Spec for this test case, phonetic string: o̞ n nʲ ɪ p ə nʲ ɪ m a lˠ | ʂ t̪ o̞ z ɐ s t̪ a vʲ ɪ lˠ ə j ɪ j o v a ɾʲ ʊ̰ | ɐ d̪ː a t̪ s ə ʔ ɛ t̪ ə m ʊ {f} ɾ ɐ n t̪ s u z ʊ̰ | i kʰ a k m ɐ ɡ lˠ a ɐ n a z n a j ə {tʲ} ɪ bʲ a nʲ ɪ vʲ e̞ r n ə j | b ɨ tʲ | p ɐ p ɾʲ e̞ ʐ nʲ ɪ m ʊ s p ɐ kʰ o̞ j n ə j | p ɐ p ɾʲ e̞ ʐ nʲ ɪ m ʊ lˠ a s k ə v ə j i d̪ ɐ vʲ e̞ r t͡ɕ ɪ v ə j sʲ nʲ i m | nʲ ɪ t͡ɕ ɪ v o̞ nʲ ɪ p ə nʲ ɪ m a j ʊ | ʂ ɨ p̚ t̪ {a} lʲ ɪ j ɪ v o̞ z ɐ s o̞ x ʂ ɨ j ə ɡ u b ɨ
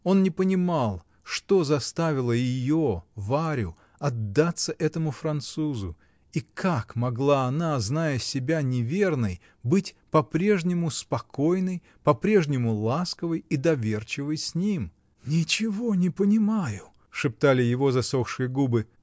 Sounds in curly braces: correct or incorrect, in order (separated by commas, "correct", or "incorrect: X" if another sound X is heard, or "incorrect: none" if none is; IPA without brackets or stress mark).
correct, incorrect: sʲ, correct